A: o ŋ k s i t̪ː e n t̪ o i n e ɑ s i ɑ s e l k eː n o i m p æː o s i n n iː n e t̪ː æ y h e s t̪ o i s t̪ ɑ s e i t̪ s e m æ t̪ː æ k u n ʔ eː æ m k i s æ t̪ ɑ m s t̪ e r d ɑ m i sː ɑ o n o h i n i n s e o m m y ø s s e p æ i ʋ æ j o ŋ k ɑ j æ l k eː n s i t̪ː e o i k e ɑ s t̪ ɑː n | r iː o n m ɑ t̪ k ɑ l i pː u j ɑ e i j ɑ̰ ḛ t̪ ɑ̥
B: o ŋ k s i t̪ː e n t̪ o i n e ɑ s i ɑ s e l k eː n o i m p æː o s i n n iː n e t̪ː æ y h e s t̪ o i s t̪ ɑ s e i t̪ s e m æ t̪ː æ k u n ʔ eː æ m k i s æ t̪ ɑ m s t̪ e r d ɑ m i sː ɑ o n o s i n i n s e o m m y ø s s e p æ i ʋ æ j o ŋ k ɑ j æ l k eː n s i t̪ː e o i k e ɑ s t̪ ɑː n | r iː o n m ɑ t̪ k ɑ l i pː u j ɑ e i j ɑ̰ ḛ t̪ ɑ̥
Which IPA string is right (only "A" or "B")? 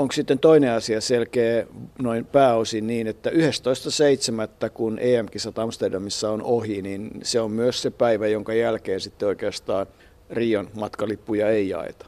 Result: A